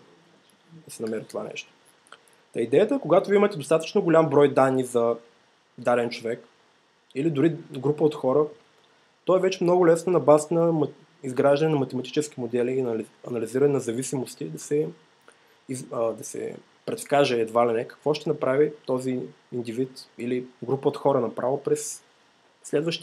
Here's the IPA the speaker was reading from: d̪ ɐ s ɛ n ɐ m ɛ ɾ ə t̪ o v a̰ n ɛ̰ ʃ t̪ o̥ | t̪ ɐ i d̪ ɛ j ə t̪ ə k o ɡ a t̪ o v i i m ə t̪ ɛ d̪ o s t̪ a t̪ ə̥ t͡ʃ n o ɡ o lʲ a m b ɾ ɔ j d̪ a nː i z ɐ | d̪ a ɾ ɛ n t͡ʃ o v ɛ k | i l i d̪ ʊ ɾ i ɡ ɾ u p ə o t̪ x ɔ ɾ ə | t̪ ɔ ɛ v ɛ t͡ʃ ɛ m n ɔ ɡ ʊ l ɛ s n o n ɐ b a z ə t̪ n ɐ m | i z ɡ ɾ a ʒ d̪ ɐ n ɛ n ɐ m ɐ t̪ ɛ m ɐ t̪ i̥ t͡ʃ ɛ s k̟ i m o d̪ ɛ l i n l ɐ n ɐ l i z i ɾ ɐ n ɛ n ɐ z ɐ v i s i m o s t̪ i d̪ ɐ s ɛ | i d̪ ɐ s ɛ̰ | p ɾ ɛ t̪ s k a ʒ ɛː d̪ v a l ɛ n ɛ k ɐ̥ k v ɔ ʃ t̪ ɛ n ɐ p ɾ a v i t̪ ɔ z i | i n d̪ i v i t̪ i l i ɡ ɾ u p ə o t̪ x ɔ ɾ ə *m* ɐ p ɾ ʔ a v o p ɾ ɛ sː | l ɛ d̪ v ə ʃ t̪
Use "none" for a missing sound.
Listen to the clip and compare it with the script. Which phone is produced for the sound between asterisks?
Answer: n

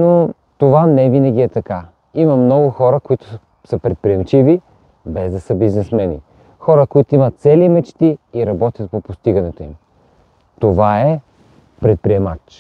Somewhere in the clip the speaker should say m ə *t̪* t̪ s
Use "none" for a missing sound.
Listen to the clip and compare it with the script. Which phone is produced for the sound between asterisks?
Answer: t̪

